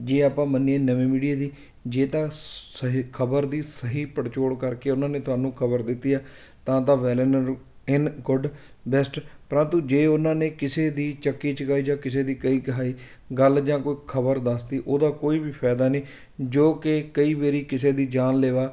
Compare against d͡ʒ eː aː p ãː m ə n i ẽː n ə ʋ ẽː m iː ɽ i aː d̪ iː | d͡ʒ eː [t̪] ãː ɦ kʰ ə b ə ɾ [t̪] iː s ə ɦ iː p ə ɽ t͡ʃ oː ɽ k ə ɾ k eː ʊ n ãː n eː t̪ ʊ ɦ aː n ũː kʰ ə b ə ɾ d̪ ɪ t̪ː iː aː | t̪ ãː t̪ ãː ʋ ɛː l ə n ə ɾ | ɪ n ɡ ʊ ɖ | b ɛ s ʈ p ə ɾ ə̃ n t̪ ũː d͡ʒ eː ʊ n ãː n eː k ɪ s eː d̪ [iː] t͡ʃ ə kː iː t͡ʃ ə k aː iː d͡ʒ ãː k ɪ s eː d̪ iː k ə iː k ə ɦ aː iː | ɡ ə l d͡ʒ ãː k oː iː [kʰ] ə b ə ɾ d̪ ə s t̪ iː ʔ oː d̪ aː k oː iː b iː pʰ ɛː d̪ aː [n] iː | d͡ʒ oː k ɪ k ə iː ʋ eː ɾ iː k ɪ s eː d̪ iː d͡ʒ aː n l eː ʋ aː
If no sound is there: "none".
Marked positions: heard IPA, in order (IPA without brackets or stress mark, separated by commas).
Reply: t̪, d̪, iː, kʰ, n